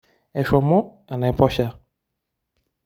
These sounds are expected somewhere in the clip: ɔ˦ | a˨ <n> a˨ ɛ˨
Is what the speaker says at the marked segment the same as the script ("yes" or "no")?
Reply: yes